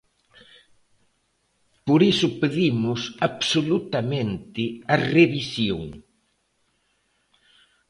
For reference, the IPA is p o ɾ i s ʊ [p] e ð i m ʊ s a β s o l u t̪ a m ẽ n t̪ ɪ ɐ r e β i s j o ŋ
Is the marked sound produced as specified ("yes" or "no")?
yes